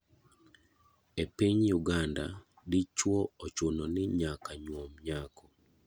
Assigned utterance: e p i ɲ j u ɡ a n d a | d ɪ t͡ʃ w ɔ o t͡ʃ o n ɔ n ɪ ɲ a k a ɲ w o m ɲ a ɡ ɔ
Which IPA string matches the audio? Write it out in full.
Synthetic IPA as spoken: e p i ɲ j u ɡ a n d a | d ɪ t͡ʃ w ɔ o t͡ʃ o n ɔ n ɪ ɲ a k a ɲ w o m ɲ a k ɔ